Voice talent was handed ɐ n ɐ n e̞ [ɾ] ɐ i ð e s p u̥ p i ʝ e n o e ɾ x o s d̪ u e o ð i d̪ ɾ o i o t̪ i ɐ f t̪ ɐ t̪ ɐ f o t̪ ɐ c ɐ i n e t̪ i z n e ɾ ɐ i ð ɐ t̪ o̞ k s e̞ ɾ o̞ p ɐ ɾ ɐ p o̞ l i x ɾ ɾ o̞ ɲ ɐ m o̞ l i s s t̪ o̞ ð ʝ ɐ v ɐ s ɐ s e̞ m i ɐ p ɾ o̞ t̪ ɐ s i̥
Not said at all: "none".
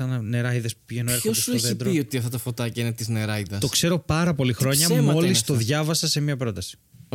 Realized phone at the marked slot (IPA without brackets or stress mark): ɾ